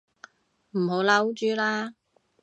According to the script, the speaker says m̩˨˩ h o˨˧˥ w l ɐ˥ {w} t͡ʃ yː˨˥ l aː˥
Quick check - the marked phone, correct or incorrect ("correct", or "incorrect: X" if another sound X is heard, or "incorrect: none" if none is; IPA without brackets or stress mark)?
correct